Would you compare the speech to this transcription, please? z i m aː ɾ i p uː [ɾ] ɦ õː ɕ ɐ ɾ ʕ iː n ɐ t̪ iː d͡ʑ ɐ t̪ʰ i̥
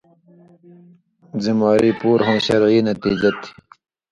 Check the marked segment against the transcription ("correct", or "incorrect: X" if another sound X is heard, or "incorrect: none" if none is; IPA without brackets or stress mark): correct